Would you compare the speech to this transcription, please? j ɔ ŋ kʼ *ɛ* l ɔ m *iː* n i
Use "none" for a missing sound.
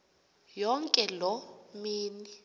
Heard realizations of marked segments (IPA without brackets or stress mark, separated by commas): ɛ, iː